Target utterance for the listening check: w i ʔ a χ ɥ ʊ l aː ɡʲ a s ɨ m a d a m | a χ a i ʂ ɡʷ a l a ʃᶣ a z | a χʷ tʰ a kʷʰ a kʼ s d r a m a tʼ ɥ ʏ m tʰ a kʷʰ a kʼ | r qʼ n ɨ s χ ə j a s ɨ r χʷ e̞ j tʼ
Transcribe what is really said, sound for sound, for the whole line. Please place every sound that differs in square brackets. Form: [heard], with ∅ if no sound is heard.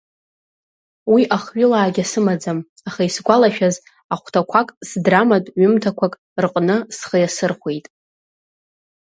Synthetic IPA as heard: w i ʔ a χ ɥ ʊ l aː ɡʲ a s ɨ m a [d͡z] a m | a χ a i [s] ɡʷ a l a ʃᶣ a z | a χʷ tʰ a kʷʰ a kʼ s d r a m a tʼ ɥ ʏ m tʰ a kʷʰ a kʼ | r qʼ n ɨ s χ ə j a s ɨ r χʷ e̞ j tʼ